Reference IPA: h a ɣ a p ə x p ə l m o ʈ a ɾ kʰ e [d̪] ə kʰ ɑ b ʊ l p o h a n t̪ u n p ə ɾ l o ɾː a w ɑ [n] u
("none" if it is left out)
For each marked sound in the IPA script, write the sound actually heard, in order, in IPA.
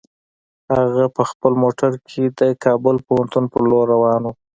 d̪, n

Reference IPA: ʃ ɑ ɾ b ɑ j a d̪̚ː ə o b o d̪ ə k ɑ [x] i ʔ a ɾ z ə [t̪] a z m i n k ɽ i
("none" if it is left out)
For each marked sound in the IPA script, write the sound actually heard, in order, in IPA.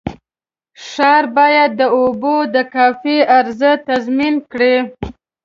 f, t̪

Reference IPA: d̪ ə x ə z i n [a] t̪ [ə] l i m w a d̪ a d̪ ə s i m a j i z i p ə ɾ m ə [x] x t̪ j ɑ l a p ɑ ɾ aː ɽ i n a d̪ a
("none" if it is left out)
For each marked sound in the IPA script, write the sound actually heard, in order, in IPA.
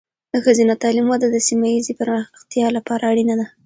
a, ɑ, x

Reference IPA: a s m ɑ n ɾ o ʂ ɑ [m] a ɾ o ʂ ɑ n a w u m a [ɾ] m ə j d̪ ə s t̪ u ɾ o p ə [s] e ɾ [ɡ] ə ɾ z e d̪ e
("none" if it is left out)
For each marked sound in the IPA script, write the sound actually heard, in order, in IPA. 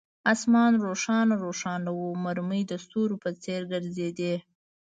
n, ɾ, t͡s, ɡ

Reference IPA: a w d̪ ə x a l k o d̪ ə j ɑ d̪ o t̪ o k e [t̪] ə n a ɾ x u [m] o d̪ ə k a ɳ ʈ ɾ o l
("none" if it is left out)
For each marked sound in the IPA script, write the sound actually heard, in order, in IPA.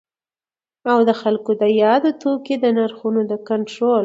d̪, n

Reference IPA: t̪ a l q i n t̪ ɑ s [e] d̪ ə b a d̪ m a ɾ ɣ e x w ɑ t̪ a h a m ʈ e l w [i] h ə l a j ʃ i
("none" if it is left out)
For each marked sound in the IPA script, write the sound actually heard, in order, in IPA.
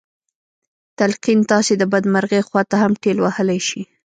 e, a

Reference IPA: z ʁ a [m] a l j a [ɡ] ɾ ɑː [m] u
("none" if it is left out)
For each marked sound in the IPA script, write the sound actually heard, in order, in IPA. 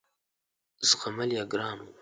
m, ɡ, n

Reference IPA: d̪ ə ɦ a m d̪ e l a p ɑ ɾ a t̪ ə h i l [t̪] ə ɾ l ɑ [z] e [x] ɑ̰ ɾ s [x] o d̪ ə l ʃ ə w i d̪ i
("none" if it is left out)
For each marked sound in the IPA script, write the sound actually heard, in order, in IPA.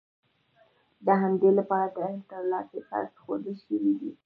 t̪, s, x, x

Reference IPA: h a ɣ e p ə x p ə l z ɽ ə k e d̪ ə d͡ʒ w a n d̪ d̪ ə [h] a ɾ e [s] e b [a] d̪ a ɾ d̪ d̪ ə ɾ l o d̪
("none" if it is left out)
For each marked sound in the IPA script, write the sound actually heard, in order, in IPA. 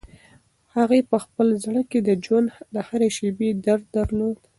h, ʃ, e

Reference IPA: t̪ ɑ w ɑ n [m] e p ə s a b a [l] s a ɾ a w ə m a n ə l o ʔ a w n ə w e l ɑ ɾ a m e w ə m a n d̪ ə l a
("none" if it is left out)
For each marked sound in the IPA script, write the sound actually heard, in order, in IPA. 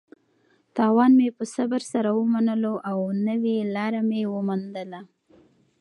m, ɾ

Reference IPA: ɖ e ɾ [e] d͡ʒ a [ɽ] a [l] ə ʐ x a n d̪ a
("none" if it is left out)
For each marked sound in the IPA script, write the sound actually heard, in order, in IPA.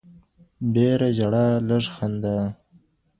a, ɽ, l

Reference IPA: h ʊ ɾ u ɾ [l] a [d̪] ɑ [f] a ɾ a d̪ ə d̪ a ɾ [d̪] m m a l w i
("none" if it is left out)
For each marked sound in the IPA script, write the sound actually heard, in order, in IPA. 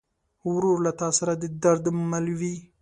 l, t̪, s, d̪

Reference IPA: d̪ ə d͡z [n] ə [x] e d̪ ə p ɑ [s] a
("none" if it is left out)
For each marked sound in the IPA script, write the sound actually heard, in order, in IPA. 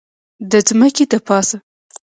m, k, s

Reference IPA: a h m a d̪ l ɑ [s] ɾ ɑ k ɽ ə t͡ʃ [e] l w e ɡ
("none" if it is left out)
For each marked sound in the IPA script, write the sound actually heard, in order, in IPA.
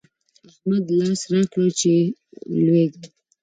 s, e

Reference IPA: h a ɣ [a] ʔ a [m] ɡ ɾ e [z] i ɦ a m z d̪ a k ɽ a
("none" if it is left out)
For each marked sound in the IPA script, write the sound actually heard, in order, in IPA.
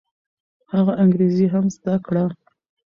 a, ŋ, z

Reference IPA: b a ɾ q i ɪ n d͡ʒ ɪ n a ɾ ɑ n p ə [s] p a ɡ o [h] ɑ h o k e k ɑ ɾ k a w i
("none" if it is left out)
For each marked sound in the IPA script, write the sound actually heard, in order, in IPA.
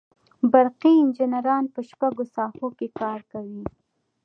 ʃ, s

